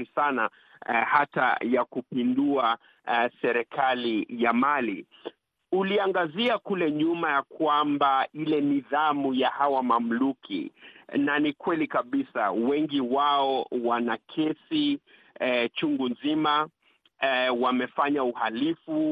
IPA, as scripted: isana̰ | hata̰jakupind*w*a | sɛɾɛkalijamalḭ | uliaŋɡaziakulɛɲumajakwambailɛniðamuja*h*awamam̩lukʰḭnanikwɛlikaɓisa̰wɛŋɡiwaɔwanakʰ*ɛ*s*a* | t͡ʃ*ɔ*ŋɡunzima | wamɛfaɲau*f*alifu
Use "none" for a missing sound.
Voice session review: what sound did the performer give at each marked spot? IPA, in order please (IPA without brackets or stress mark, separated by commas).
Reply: u, h, ɛ, i, u, h